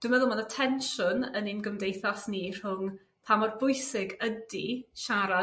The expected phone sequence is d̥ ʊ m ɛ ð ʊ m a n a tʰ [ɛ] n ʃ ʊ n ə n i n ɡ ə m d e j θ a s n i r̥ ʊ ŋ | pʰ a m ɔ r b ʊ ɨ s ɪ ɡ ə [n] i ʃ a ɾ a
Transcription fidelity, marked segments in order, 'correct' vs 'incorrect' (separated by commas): correct, incorrect